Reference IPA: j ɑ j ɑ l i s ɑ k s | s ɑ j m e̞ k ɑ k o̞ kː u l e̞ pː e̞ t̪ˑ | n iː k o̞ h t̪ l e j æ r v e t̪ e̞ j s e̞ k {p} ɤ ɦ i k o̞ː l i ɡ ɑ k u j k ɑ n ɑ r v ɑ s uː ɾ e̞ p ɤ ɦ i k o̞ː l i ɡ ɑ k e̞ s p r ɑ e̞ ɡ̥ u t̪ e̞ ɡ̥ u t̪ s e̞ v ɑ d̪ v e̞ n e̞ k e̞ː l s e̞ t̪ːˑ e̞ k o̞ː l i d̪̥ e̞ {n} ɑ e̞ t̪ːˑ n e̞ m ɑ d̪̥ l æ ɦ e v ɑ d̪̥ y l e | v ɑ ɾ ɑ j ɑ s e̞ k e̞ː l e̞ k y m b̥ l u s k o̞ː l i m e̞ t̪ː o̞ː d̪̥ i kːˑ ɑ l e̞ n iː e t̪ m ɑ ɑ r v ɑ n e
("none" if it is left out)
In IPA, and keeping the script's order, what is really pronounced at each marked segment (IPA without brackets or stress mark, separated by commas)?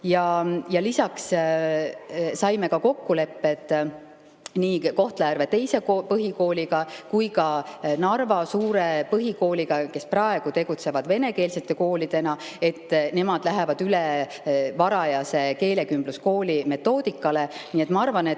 p, n